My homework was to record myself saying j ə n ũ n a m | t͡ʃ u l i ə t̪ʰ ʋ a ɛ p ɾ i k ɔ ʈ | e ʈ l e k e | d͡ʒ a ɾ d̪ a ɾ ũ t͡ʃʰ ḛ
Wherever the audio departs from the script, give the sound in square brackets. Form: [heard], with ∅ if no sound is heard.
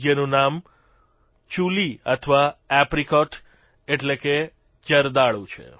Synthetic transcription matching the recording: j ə n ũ n a m | t͡ʃ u l i ə t̪ʰ ʋ a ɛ p ɾ i k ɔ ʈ | e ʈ l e k e | d͡ʒ [ə] ɾ d̪ a [ɭ] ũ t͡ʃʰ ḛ